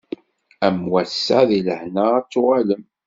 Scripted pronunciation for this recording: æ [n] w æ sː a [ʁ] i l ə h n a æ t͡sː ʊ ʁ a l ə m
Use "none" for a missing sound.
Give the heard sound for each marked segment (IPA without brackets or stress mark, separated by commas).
m, ð